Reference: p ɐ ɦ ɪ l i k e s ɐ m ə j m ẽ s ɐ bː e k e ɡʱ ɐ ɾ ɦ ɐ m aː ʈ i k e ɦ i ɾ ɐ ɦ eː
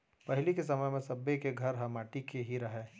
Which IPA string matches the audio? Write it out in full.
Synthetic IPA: p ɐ ɦ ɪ l i k e s ɐ m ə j m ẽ s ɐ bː e k e ɡʱ ɐ ɾ ɦ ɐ m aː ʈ i k e ɦ i ɾ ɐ ɦ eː

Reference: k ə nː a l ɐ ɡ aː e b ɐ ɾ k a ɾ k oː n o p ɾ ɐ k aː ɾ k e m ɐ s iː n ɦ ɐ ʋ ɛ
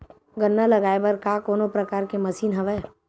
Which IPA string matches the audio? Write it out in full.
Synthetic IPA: ɡ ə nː a l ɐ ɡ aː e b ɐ ɾ k a k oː n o p ɾ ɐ k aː ɾ k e m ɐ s iː n ɦ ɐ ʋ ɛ

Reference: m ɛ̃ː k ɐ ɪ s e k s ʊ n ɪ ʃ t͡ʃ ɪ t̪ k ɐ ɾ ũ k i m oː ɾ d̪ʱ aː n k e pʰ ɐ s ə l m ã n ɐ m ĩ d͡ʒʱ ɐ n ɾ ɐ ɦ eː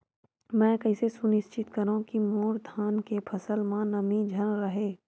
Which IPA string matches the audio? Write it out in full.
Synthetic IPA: m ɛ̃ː k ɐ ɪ s e s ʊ n ɪ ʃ t͡ʃ ɪ t̪ k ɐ ɾ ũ k i m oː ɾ d̪ʱ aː n k e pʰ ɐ s ə l m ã n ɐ m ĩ d͡ʒʱ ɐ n ɾ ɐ ɦ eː

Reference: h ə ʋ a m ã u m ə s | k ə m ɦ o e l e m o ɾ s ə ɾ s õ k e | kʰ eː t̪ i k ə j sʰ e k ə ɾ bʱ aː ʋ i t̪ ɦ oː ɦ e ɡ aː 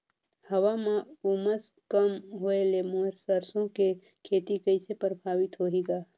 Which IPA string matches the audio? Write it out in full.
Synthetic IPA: h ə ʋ a m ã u m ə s | k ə m ɦ o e l e m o ɾ s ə ɾ s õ k e | kʰ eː t̪ i k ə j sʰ e p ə ɾ bʱ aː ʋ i t̪ ɦ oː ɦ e ɡ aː

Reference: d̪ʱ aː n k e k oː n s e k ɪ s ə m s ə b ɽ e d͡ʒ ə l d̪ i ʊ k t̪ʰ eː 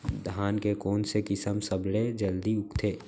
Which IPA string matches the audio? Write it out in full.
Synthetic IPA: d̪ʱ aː n k e k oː n s e k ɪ s ə m s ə b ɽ e d͡ʒ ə l d̪ i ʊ k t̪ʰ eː

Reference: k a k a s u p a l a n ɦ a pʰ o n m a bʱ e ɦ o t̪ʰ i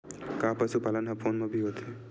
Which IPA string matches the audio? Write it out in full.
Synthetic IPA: k a p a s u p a l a n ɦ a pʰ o n m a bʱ i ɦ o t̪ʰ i

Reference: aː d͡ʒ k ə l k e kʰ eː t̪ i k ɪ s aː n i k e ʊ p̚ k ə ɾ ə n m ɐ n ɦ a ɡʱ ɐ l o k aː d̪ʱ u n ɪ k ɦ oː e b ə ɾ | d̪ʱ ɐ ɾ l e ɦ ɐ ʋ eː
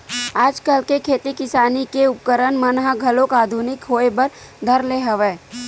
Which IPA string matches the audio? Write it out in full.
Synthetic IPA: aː d͡ʒ k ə l k e kʰ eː t̪ i k ɪ s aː n i k e ʊ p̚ k ə ɾ ə n m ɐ n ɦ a ɡʱ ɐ l o k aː d̪ʱ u n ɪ k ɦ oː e b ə ɾ | d̪ʱ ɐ ɾ l e ɦ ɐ ʋ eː

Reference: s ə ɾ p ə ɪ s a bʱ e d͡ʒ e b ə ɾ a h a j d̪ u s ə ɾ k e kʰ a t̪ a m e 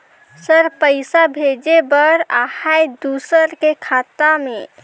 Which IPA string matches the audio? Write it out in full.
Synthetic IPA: s ə ɾ p ə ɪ s a bʱ e d͡ʒ e b ə ɾ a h a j d̪ u s ə ɾ k e kʰ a t̪ a m e

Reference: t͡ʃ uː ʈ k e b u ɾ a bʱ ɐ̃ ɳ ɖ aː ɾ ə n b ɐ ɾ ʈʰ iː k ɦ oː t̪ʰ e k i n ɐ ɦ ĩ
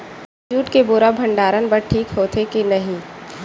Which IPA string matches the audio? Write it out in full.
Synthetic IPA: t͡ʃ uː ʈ k e b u ɾ a bʱ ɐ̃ ɳ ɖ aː ɾ ə n b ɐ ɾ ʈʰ iː k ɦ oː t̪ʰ e k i n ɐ ɦ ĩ

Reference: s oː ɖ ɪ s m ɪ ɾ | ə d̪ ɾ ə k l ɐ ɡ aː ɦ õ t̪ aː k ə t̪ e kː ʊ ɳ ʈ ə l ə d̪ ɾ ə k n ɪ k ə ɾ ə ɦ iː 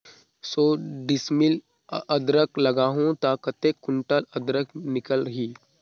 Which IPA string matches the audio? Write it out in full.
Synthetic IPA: s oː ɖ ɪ s m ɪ l | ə d̪ ɾ ə k l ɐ ɡ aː ɦ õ t̪ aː k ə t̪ e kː ʊ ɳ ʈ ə l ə d̪ ɾ ə k n ɪ k ə l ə ɦ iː

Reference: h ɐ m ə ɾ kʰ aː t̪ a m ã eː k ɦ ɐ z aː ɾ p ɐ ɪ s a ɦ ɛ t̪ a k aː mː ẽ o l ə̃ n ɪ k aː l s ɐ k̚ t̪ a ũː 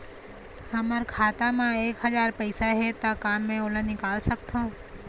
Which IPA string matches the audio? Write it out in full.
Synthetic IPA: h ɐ m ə ɾ kʰ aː t̪ a m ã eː k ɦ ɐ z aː ɾ p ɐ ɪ s a ɦ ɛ t̪ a k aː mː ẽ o l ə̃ n ɪ k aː l s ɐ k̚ t̪ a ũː

